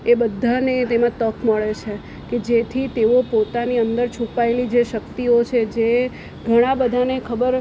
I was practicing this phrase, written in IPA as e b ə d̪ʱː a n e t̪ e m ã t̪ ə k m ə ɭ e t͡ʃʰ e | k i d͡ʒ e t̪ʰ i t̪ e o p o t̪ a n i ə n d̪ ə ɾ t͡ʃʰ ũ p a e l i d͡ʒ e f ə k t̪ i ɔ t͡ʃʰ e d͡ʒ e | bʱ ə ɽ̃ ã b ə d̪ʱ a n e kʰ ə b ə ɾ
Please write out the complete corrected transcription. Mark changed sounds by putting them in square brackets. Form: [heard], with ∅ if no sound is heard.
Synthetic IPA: e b ə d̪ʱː a n e t̪ e m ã t̪ ə k m ə ɭ e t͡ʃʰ e | k [e] d͡ʒ e t̪ʰ i t̪ e o p o t̪ a n i ə n d̪ ə ɾ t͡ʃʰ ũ p a e l i d͡ʒ e [ʃ] ə k t̪ i [o] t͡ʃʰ e d͡ʒ e | [ɡʱ] ə ɽ̃ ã b ə d̪ʱ a n e kʰ ə b ə ɾ